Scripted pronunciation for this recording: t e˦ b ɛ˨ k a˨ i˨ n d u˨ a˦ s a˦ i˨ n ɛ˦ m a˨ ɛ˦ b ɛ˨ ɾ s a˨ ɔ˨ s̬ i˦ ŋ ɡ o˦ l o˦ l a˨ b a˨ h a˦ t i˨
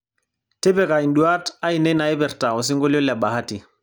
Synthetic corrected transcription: t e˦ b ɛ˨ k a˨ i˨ n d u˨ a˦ t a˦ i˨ n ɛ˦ n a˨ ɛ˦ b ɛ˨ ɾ t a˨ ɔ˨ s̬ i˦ ŋ ɡ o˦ l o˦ l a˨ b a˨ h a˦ t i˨